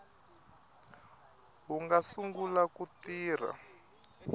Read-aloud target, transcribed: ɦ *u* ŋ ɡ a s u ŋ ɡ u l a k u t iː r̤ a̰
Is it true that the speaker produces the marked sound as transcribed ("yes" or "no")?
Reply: yes